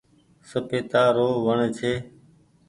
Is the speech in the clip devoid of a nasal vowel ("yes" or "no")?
yes